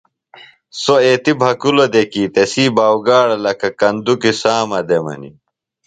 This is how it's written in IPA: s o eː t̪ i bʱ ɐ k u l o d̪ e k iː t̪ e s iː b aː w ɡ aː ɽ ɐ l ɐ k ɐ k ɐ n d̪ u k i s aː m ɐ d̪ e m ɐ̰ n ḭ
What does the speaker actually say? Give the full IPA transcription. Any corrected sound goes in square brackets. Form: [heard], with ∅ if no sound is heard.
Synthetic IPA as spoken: s o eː t̪ i bʱ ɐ k u l o d̪ e k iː t̪ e s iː b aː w ɡ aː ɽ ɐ l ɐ k ɐ k ɐ n d̪ u k i s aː m ɐ d̪ e m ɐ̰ n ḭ